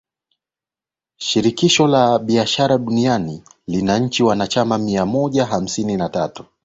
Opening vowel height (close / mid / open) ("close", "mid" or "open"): close